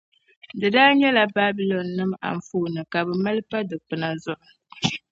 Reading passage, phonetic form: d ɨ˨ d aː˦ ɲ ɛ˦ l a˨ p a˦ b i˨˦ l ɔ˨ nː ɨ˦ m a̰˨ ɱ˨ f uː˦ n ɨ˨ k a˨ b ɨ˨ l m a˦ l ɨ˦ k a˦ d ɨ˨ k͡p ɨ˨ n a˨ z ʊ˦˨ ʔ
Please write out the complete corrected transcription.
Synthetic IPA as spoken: d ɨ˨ d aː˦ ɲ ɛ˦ l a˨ b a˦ b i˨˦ l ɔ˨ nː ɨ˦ m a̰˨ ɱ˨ f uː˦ n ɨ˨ k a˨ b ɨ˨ m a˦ l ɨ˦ p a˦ d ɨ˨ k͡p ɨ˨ n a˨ z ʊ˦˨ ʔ